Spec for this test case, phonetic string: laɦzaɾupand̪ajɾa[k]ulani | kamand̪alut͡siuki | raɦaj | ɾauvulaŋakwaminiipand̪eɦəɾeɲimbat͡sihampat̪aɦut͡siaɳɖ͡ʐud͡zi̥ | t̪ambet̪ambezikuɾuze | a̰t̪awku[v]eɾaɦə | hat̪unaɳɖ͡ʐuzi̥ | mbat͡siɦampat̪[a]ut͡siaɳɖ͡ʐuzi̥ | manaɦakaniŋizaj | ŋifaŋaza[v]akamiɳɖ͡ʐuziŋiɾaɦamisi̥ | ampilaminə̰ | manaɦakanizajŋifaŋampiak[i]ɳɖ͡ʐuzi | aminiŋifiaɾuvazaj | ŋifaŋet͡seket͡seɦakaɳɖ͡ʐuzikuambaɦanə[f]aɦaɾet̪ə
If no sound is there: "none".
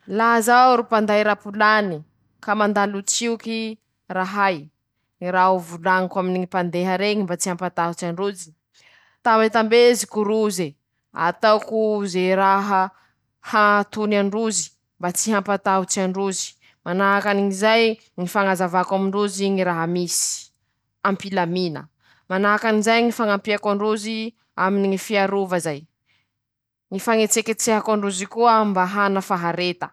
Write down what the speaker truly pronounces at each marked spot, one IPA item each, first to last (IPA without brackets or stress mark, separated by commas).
p, z, a, v, a, f